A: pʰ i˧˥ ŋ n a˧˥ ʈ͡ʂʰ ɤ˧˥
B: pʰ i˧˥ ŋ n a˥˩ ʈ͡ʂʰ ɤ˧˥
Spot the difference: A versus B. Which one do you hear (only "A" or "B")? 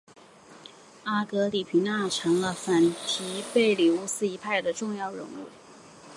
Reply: B